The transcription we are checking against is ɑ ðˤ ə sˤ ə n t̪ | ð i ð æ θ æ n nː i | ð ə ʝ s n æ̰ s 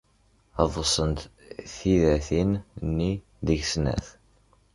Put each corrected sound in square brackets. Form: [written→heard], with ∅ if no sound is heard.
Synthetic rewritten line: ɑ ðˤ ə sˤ ə n t̪ | [ð→θ] i ð æ θ [æ→i] n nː i | ð ə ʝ s n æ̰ [s→θ]